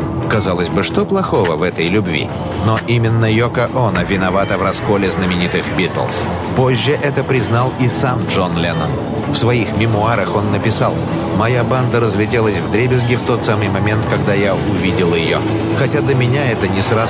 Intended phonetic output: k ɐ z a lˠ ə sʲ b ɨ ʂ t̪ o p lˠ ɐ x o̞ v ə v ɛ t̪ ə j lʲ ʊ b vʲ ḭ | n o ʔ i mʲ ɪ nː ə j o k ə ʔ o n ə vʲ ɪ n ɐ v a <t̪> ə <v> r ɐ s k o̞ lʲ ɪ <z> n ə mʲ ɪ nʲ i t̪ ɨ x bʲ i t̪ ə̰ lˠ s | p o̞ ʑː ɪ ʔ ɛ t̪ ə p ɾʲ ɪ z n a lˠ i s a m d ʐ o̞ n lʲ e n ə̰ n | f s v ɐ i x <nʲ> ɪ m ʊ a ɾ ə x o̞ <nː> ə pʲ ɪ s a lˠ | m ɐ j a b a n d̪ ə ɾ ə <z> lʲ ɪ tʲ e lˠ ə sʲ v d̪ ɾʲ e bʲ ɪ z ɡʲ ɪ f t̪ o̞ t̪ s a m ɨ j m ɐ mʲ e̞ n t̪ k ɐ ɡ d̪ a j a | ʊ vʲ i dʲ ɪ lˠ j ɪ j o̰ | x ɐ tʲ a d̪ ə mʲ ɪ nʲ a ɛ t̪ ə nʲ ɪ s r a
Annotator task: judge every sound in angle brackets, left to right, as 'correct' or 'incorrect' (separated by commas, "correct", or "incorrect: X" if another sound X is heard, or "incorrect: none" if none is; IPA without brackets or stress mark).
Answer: correct, correct, correct, incorrect: mʲ, correct, correct